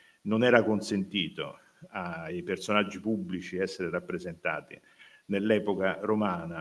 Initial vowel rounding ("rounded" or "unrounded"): rounded